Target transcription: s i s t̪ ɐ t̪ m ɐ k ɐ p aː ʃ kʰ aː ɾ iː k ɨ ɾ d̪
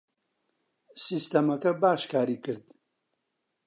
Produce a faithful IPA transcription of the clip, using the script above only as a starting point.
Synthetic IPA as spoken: s i s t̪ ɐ m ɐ k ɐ b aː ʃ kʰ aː ɾ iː k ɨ ɾ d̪